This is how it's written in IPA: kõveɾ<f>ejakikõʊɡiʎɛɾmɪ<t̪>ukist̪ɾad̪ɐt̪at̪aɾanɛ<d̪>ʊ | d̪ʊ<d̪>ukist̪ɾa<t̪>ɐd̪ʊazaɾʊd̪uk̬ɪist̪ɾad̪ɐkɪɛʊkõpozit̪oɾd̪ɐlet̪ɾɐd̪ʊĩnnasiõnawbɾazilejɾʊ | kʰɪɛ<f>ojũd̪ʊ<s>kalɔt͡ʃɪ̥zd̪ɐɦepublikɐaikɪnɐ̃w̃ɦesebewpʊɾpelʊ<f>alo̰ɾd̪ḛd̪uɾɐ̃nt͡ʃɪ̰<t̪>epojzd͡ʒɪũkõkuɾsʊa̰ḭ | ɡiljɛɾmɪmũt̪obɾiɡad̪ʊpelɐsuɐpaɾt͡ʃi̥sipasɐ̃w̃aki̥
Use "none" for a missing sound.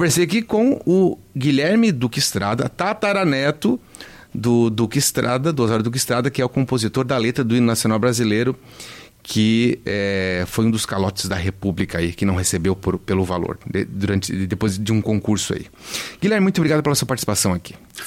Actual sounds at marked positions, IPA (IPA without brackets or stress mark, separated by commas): s, d̪, t̪, d̪, d̪, f, s, v, d̪